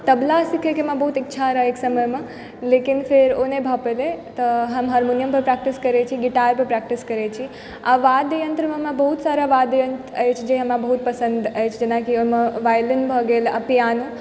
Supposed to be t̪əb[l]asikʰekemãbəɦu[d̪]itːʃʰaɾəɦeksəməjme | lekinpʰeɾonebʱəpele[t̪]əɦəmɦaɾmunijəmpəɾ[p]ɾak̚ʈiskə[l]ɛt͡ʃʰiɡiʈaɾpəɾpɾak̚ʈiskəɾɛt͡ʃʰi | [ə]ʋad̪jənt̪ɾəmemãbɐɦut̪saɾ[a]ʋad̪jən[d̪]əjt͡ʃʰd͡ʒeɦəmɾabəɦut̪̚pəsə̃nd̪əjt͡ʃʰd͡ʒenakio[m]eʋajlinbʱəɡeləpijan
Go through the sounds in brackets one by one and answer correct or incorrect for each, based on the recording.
correct, incorrect: t̪, correct, correct, incorrect: ɾ, incorrect: a, correct, incorrect: t̪, correct

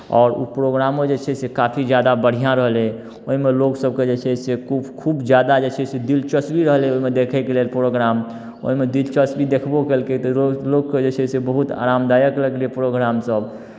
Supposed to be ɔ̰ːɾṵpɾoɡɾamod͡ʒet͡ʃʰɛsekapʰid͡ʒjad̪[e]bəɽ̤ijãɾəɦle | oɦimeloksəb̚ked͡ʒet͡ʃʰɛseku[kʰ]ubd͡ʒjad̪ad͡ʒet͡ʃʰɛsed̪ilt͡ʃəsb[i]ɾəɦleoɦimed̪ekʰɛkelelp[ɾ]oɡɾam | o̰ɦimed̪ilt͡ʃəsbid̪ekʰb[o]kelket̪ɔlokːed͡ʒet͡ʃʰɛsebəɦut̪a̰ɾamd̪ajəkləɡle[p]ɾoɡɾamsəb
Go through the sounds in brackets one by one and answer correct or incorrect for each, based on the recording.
incorrect: a, correct, correct, correct, correct, correct

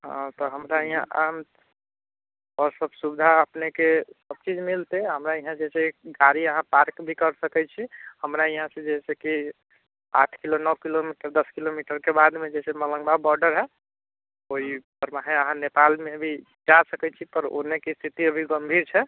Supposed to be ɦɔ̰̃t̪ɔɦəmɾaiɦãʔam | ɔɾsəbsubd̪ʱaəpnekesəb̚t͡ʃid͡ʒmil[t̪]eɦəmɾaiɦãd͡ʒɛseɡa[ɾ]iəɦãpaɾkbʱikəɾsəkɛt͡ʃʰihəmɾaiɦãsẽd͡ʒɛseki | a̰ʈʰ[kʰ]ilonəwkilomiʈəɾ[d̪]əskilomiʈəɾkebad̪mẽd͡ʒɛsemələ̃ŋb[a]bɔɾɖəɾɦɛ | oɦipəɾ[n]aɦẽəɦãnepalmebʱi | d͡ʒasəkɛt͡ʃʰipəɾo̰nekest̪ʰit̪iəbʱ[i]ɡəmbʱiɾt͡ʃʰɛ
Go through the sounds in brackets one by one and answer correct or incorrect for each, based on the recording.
correct, correct, incorrect: k, correct, correct, incorrect: m, correct

